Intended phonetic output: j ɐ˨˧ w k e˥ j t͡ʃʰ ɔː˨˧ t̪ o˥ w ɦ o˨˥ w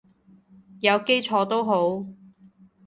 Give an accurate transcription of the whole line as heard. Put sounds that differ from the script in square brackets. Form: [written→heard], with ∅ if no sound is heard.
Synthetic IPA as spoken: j ɐ˨˧ w k e˥ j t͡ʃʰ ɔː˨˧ t̪ o˥ w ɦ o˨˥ w